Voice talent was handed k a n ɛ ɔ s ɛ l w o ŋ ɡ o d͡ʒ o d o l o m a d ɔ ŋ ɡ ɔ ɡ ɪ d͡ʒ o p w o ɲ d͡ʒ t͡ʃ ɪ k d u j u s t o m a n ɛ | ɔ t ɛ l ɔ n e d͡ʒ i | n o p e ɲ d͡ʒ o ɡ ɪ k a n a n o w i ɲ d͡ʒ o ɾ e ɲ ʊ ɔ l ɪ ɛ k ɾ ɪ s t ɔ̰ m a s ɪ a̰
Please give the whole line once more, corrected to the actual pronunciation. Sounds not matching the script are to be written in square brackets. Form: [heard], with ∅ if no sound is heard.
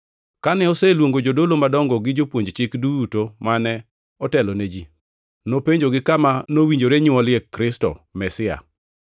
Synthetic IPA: k a n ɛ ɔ s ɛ l w o ŋ ɡ o d͡ʒ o d o l o m a d ɔ ŋ ɡ ɔ ɡ ɪ d͡ʒ o p w o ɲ d͡ʒ t͡ʃ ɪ k d u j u [∅] t o m a n ɛ | ɔ t ɛ l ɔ n e d͡ʒ i | n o p e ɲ d͡ʒ o ɡ ɪ k a [m] a n o w i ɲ d͡ʒ o ɾ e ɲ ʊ ɔ l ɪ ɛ k ɾ ɪ s t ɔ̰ m [ɛ] s ɪ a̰